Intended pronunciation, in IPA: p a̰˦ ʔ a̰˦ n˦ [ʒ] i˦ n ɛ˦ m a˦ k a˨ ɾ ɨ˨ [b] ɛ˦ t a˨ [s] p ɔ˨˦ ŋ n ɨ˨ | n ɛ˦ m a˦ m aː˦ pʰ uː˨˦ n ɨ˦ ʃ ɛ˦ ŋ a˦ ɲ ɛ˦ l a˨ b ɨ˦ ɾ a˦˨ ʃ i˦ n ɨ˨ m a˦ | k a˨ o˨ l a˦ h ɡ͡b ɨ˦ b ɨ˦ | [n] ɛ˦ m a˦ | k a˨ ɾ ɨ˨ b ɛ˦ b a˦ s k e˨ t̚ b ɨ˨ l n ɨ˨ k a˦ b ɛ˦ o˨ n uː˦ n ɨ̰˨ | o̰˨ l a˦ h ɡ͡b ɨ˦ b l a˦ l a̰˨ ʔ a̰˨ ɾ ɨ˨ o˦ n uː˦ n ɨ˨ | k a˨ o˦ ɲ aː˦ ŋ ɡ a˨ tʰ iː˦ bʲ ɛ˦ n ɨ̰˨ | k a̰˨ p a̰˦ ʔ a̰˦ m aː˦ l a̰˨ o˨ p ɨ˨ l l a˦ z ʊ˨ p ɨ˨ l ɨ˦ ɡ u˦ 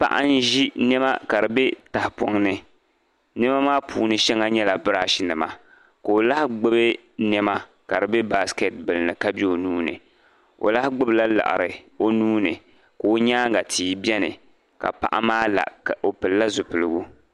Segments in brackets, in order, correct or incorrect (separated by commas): correct, correct, incorrect, correct